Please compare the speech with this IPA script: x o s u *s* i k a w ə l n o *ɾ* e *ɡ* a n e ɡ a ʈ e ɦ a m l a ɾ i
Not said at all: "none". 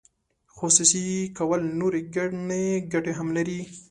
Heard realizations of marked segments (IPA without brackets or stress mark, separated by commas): s, ɾ, ɡ